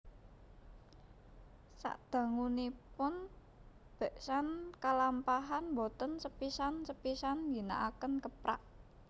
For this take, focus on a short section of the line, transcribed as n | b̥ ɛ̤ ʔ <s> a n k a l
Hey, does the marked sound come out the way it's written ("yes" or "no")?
yes